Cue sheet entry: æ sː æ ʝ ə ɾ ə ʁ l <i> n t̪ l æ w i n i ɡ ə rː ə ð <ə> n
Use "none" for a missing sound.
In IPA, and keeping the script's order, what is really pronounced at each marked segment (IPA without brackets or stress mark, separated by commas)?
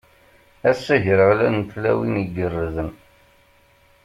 æ, ə